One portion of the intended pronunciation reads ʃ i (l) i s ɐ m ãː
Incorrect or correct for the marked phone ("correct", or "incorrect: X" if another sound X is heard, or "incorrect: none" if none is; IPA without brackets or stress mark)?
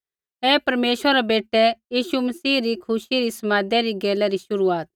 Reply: incorrect: ɾ